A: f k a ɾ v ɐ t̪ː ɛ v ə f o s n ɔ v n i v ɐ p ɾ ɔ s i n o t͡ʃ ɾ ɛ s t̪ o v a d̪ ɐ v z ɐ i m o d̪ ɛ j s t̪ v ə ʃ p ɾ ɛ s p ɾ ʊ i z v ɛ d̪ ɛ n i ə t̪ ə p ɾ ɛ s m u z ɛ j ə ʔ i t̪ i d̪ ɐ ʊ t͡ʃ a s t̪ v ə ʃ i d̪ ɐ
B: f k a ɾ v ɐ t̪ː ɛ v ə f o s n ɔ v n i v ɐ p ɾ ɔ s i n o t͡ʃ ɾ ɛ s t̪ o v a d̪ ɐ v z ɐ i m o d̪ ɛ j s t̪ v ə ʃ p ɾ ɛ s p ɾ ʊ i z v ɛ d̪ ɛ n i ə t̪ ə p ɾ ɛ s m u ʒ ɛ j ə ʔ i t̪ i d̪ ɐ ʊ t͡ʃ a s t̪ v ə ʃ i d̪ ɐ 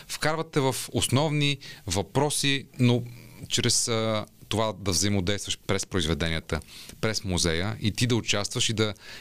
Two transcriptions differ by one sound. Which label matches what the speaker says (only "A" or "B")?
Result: A